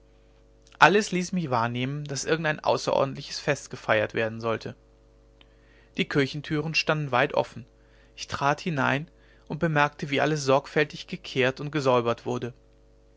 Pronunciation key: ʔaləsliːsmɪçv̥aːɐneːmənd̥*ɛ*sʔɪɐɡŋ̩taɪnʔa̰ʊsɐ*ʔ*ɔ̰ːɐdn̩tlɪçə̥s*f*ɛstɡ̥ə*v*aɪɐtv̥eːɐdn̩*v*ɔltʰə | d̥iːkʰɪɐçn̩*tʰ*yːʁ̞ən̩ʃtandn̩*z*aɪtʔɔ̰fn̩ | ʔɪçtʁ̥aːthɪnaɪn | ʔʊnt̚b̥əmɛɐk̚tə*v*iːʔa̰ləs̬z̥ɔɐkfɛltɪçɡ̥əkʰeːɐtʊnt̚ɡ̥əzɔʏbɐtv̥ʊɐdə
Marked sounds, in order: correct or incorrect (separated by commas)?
incorrect, correct, correct, incorrect, incorrect, correct, incorrect, correct